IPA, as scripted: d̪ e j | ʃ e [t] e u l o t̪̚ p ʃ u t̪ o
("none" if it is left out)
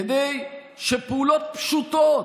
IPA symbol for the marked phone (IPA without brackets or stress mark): p